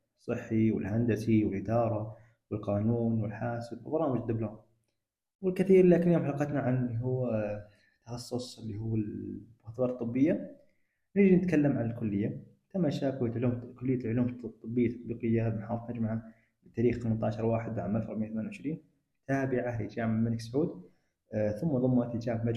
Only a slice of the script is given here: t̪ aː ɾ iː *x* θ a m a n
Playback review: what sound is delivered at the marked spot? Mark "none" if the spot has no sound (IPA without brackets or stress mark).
x